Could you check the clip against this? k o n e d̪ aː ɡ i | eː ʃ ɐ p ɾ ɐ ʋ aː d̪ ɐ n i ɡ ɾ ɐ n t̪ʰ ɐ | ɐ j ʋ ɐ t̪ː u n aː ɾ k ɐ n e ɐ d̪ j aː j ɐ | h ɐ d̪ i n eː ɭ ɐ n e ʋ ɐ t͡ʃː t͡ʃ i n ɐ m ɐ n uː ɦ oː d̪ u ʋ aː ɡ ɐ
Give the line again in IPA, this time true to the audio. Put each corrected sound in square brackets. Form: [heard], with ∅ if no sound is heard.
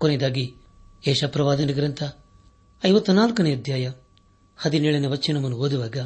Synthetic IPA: k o n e d̪ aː ɡ i | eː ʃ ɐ p ɾ ɐ ʋ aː d̪ ɐ n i ɡ ɾ ɐ n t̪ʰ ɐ | ɐ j ʋ ɐ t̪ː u n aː [l] k ɐ n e ɐ d̪ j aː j ɐ | h ɐ d̪ i n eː ɭ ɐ n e ʋ ɐ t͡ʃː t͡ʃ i n ɐ m ɐ n [u] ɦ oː d̪ u ʋ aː ɡ ɐ